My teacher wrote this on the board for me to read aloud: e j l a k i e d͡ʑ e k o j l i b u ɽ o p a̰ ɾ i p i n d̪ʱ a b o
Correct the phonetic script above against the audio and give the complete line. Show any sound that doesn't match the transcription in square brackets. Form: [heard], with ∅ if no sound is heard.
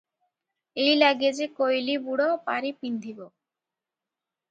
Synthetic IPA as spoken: e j l a [ɡ] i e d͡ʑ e k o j l i b u ɽ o p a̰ ɾ i p i n d̪ʱ [i] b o